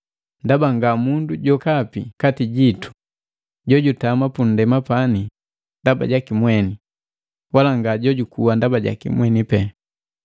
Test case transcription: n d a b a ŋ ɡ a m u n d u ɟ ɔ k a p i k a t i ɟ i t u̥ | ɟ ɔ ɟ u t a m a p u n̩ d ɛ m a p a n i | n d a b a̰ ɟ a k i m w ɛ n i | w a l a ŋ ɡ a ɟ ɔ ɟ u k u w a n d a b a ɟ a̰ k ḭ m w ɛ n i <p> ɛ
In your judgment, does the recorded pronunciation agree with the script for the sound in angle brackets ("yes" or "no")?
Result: yes